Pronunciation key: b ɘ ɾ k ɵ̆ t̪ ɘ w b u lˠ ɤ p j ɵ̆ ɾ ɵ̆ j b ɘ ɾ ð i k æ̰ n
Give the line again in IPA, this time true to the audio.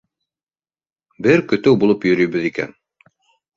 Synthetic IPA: b ɘ ɾ k ɵ̆ t̪ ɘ w b u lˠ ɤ p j ɵ̆ ɾ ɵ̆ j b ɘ ð i k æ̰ n